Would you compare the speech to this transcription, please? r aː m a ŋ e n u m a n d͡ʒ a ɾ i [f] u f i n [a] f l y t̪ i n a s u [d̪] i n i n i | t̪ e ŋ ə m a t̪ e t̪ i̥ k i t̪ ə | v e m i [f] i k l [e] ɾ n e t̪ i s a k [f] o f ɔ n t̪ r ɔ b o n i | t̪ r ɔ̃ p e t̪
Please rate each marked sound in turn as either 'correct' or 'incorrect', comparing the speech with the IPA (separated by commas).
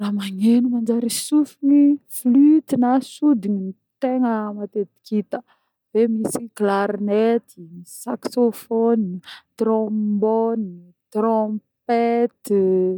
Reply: incorrect, incorrect, correct, incorrect, incorrect, incorrect